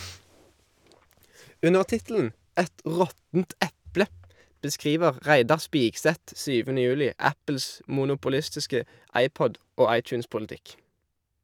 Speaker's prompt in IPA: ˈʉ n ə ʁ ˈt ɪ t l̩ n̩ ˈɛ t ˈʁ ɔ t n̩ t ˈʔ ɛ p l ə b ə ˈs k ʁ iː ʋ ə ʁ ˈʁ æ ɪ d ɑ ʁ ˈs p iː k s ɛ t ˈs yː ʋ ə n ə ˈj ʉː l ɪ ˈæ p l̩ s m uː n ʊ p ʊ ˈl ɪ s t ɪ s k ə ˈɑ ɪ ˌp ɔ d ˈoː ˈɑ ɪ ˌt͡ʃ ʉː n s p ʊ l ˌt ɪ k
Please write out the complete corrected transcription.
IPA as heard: ˈʉ n ə ʁ ˈt ɪ t l̩ n̩ ˈɛ t ˈʁ ɔ t n̩ t ˈʔ ɛ p l ə b ə ˈs k ʁ iː ʋ ə ʁ ˈʁ æ ɪ d ɑ ʁ ˈs p iː k s ɛ t ˈs yː ʋ ə n ə ˈj ʉː l ɪ ˈæ p l̩ s m uː n ʊ p ʊ ˈl ɪ s t ɪ s k ə ˈɑ ɪ ˌp ɔ d ˈoː ˈɑ ɪ ˌt͡ʃ ʉː n s p ʊ l ˌt ɪ k